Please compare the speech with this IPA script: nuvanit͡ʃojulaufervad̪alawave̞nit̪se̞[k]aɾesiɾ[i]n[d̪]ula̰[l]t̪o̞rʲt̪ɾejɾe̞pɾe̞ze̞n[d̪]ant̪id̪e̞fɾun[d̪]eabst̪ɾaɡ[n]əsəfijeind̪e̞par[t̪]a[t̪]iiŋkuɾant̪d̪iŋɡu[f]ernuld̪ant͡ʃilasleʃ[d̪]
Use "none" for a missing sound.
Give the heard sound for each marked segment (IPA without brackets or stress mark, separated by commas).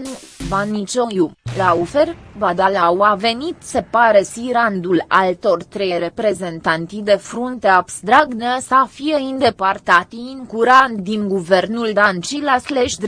p, a, d̪, l, t̪, t̪, n, t̪, t̪, v, d̪